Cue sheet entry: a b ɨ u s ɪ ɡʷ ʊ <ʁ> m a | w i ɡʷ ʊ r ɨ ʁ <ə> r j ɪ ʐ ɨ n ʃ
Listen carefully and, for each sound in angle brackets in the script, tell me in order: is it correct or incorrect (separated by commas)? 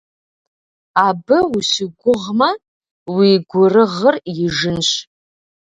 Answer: correct, correct